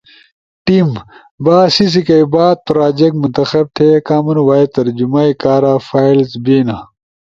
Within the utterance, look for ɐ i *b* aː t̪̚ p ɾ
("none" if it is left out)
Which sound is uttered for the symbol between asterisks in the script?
b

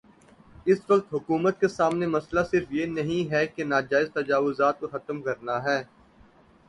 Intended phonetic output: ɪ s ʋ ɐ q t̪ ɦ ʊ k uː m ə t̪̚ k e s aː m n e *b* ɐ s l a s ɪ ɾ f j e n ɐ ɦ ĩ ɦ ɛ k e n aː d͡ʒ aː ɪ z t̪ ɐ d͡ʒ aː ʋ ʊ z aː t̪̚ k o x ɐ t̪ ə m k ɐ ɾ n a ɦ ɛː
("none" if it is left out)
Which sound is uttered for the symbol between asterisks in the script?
m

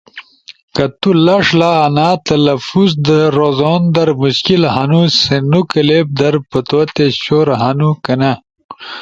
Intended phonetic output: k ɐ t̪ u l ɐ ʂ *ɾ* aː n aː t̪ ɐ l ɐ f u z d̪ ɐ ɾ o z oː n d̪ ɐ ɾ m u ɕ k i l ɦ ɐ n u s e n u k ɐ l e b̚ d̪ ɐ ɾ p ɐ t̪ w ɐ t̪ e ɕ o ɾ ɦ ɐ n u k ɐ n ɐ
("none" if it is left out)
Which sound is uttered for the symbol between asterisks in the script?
l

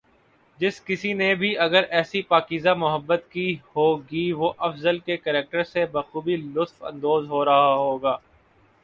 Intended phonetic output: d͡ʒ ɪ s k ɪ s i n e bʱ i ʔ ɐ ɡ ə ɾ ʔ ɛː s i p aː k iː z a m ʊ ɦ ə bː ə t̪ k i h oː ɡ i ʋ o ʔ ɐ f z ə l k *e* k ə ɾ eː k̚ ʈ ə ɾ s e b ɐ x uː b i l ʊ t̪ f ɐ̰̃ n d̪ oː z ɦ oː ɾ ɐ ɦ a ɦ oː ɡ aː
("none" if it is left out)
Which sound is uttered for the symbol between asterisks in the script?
e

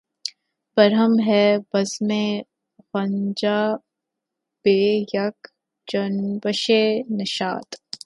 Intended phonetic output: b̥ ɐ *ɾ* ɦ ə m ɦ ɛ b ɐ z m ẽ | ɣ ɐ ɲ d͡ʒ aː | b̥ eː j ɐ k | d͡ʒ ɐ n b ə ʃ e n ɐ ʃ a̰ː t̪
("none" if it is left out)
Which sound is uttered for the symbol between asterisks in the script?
ɾ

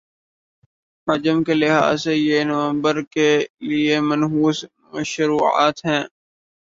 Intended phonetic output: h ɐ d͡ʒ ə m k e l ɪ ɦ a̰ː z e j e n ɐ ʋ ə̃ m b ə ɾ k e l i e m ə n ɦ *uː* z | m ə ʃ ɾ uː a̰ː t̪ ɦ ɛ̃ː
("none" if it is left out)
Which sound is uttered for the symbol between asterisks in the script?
uː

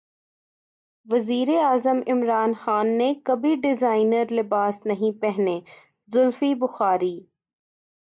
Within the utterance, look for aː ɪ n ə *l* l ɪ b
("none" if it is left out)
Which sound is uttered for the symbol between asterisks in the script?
ɾ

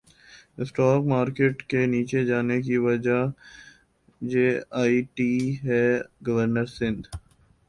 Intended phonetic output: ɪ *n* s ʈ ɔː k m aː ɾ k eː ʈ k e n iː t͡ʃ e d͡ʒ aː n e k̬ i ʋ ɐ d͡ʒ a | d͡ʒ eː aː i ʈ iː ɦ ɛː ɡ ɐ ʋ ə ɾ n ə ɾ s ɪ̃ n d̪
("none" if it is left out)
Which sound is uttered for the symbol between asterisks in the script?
none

